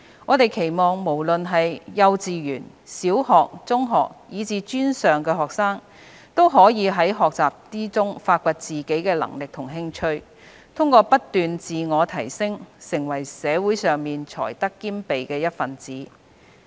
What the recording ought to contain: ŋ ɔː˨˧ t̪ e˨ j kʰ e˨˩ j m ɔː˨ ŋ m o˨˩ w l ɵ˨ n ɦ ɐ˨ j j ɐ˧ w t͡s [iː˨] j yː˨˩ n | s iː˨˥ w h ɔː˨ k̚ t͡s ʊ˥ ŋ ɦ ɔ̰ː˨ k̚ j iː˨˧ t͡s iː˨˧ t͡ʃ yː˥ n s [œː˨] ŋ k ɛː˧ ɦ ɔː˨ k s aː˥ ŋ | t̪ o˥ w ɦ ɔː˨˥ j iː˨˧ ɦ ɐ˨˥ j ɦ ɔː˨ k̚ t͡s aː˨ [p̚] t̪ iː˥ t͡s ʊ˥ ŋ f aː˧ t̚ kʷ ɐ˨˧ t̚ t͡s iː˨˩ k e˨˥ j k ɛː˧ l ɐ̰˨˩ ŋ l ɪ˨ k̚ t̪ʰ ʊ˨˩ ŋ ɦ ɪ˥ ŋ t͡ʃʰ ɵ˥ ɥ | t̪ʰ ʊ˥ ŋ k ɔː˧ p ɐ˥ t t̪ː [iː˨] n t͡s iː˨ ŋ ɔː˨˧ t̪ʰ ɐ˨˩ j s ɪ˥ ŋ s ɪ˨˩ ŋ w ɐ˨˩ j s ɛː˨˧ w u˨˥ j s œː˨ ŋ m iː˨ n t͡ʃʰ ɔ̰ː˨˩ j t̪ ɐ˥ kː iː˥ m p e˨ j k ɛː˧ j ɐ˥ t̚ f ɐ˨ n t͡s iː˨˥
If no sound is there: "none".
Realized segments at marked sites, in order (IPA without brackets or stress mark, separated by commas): iː˨, œː˨, p̚, yː˨